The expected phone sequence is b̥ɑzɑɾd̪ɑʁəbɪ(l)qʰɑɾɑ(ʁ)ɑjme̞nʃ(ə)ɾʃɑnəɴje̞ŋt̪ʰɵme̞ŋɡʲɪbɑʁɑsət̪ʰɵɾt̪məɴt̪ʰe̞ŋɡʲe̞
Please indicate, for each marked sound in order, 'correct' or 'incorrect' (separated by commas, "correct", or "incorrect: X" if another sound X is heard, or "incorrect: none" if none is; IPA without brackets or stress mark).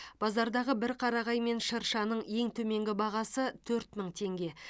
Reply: incorrect: ɾ, correct, correct